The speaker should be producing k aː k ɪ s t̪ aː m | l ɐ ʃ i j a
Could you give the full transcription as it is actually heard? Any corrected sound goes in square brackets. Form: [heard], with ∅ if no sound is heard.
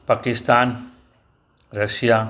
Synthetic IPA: [p] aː k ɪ s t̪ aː [n] | [ɾ] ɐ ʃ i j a